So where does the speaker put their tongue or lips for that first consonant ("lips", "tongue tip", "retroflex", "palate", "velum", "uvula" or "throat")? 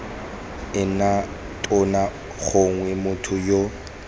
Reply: tongue tip